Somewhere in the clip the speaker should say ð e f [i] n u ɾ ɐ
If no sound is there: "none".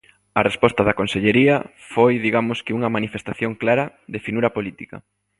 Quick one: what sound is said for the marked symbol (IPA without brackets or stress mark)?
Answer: i